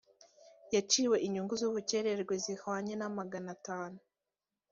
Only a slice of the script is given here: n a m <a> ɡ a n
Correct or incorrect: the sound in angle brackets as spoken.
correct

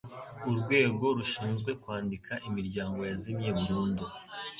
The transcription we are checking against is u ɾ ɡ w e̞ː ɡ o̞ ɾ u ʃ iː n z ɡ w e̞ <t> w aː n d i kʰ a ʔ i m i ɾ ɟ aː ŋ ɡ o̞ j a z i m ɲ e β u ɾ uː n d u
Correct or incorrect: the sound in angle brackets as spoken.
incorrect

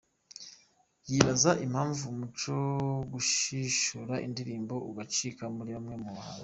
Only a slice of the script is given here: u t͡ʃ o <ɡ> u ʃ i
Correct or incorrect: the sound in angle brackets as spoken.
correct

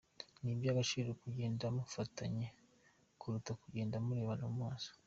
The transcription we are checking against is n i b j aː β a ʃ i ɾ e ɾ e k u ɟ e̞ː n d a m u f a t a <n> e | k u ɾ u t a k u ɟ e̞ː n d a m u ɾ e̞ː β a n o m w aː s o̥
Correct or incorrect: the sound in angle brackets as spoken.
incorrect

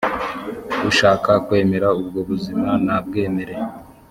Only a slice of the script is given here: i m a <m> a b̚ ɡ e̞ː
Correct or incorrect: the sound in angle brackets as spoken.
incorrect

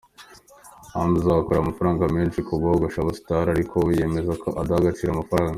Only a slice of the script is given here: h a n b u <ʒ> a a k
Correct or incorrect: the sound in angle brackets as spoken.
incorrect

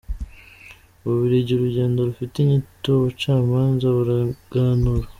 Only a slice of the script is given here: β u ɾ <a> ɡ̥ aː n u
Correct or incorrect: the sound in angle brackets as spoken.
correct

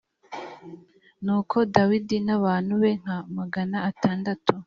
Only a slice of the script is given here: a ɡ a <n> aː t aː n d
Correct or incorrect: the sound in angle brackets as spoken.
correct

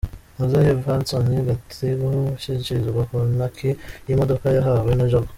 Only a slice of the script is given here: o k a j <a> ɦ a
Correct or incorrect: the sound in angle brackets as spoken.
correct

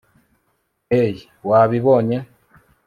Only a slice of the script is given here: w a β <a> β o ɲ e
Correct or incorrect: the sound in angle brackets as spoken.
incorrect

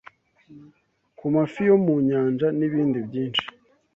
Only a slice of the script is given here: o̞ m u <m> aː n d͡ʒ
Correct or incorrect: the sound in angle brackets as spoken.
incorrect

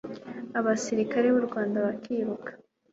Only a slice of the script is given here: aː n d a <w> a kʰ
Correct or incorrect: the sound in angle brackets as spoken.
incorrect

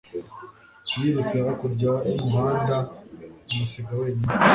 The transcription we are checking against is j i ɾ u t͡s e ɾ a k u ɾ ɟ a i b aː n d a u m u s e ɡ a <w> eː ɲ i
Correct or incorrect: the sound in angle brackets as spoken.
correct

